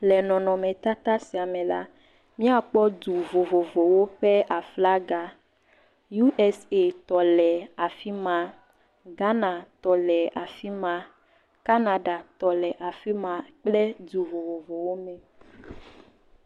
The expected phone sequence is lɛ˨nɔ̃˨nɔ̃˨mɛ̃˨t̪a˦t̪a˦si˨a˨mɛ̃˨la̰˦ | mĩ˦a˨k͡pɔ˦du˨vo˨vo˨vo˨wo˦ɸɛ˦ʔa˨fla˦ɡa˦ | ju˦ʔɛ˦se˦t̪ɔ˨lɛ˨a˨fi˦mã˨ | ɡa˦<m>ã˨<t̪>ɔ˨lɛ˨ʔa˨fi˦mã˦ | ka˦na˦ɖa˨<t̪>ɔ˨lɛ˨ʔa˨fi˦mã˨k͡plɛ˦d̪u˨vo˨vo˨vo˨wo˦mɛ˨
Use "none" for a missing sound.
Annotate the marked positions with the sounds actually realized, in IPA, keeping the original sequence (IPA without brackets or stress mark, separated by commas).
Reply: n, t̪, t̪